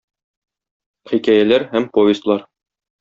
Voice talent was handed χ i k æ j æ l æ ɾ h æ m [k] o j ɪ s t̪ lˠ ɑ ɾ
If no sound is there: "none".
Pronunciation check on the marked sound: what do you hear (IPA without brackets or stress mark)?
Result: p